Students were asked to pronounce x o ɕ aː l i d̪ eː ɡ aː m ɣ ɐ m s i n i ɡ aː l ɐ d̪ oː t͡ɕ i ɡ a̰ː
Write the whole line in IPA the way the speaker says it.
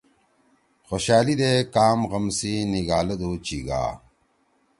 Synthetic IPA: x o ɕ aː l i d̪ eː k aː m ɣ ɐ m s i n i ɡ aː l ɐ d̪ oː t͡ɕ i ɡ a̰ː